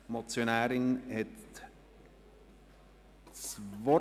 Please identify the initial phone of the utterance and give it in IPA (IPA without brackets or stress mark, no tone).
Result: m